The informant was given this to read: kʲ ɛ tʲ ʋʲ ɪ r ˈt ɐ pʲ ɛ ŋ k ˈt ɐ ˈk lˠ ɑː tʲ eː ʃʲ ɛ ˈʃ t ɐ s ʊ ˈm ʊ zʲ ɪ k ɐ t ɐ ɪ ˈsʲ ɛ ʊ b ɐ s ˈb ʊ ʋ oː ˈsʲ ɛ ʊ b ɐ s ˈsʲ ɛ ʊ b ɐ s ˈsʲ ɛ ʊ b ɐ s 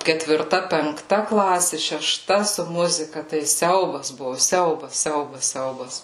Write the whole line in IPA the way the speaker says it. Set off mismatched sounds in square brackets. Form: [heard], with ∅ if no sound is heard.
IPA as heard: kʲ ɛ tʲ ʋʲ ɪ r ˈt ɐ pʲ ɛ ŋ k ˈt ɐ ˈk lˠ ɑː [sʲ] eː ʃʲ ɛ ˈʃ t ɐ s ʊ ˈm ʊ zʲ ɪ k ɐ t ɐ ɪ ˈsʲ ɛ ʊ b ɐ s ˈb ʊ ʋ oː ˈsʲ ɛ ʊ b ɐ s ˈsʲ ɛ ʊ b ɐ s ˈsʲ ɛ ʊ b ɐ s